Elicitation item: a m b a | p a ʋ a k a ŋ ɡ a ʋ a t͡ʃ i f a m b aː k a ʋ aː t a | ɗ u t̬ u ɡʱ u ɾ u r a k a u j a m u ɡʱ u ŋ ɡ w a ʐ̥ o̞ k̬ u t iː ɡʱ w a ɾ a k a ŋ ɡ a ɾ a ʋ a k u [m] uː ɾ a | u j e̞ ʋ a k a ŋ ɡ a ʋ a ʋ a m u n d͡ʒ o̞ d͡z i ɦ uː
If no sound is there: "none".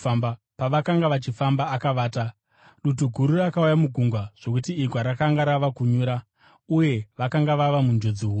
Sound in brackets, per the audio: ɲ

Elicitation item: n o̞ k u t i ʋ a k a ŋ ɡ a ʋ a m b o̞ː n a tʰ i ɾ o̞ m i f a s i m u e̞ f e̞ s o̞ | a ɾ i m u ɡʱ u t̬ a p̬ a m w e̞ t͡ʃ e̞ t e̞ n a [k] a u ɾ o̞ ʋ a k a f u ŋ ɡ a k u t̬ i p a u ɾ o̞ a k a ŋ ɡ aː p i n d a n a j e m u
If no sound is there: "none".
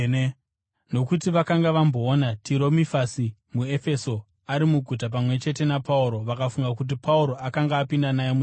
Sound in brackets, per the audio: p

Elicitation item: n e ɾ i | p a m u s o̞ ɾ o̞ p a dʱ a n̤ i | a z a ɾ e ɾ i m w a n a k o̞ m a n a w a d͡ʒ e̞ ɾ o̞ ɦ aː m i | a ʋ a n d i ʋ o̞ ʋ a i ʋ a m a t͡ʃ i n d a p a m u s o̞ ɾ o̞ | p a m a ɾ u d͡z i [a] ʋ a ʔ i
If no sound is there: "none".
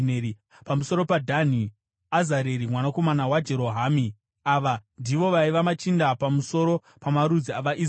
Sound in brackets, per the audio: a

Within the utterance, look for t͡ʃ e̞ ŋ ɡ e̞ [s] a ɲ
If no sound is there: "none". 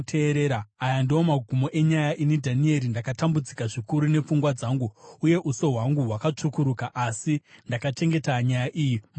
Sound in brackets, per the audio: t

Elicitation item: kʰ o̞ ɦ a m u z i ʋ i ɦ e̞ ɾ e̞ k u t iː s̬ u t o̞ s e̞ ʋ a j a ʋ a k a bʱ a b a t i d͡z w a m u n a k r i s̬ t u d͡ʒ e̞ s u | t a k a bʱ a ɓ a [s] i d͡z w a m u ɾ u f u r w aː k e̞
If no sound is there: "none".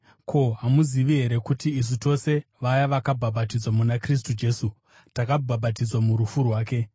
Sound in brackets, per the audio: t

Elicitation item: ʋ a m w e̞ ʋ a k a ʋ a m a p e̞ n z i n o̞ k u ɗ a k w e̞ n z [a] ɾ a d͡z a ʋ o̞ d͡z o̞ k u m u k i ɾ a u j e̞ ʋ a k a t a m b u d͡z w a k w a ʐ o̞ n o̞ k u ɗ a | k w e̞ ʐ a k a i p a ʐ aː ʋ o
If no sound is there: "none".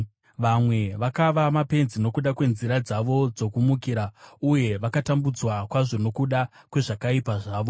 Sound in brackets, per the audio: i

